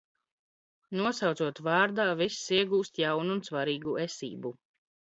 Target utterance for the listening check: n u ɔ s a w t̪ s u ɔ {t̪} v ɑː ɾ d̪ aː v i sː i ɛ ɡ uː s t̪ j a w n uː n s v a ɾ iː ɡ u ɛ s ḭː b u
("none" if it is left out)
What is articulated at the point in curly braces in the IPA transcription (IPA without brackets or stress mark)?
t̪